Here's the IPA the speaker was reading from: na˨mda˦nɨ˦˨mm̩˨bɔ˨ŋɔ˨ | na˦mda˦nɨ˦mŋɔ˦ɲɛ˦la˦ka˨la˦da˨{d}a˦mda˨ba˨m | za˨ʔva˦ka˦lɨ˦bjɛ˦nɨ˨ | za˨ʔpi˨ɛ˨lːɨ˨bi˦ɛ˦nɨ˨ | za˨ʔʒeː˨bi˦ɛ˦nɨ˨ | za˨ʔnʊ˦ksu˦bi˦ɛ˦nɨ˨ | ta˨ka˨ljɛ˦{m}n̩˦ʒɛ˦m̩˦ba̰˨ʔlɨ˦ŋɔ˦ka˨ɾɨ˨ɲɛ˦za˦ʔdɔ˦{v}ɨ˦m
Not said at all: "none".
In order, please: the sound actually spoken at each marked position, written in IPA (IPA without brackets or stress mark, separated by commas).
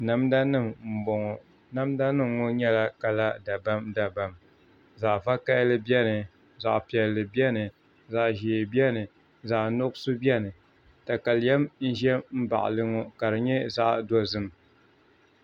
b, m, z